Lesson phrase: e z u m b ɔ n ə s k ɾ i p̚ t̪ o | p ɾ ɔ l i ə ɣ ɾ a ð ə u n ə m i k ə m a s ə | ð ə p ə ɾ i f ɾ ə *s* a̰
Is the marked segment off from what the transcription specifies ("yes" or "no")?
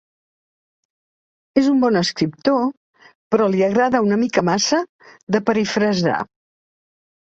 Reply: yes